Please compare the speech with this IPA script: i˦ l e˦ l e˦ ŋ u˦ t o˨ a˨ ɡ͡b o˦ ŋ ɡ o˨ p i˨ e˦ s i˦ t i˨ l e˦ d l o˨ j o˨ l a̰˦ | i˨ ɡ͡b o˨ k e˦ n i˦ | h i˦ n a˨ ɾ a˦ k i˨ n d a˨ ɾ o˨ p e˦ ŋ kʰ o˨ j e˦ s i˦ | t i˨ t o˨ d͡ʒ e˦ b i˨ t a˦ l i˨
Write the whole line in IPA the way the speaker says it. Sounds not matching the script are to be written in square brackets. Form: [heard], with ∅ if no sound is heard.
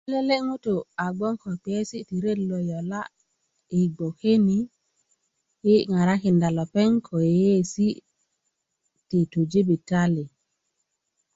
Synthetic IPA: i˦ l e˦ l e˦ ŋ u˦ t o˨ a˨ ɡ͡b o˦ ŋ [k] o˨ p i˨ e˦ s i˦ t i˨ [ɾ] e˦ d l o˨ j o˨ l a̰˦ | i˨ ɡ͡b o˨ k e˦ n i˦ | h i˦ [ŋ] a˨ ɾ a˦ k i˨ n d a˨ [l] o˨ p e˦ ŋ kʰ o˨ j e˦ s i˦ | t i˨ t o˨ d͡ʒ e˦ b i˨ t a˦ l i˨